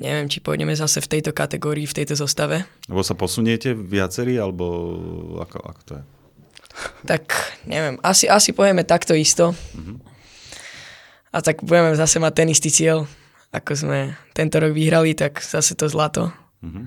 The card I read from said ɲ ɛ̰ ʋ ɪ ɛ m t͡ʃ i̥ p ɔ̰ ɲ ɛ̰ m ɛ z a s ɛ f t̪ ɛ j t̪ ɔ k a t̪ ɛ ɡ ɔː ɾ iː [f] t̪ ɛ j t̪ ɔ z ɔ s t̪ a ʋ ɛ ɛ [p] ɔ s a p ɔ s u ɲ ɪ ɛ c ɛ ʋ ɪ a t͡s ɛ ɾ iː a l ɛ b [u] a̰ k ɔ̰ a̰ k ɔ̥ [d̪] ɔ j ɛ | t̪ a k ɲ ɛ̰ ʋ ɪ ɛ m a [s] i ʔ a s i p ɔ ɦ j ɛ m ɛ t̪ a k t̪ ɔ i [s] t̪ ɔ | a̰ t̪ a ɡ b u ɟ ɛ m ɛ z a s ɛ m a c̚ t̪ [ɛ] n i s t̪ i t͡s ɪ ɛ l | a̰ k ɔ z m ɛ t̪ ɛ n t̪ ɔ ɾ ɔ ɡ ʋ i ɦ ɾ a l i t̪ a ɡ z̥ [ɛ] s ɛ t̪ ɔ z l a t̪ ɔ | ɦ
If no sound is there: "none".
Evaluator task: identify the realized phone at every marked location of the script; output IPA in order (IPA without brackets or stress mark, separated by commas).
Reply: f, b, ɔ, t̪, s, s, ɛ, a